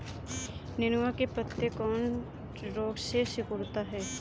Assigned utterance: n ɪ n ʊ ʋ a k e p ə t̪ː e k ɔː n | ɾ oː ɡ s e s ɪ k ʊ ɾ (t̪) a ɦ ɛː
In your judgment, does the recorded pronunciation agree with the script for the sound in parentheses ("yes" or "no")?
yes